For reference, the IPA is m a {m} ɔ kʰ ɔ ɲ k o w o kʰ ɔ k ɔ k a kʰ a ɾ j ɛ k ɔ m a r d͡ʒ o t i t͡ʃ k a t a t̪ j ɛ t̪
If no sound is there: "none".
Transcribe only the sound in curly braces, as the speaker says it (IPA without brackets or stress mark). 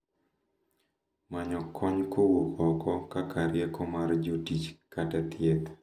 ɲ